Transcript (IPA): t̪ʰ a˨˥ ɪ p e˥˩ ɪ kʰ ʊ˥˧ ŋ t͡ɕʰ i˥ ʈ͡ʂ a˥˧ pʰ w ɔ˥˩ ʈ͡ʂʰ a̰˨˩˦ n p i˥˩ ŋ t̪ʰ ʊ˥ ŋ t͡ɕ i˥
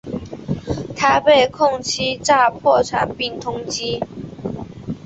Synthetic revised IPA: t̪ʰ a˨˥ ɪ p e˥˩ ɪ kʰ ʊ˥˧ ŋ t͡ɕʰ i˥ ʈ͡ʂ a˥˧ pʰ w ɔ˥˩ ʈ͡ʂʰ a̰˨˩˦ n p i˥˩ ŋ t̪ʰ ʊ˥ ŋ t͡ɕ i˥